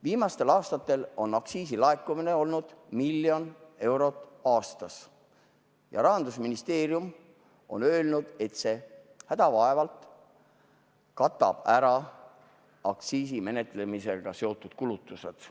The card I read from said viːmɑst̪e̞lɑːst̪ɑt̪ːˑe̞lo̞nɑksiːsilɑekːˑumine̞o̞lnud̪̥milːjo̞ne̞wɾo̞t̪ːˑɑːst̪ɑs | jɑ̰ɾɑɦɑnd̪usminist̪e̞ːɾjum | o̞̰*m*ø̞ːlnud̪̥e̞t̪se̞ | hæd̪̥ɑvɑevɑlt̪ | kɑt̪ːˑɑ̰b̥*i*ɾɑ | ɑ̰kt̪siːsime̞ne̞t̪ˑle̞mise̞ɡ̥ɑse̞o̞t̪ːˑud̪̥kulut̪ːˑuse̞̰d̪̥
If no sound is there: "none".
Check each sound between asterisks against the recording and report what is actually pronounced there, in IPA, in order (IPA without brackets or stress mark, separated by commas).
n, æ